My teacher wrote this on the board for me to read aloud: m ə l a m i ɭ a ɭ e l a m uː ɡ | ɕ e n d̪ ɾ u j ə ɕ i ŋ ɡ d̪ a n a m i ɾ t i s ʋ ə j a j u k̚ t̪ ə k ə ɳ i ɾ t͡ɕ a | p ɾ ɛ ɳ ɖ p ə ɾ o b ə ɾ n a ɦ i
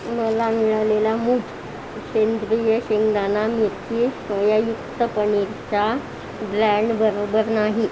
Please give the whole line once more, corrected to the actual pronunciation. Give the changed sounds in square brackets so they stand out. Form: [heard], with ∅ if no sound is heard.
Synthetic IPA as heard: m ə l a m i ɭ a [l] e l a m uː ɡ | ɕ e n d̪ ɾ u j ə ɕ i ŋ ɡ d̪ a n a m i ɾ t i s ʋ ə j a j u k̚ t̪ ə [p] ə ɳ i ɾ t͡ɕ a | [b] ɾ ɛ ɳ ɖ [b] ə ɾ o b ə ɾ n a ɦ i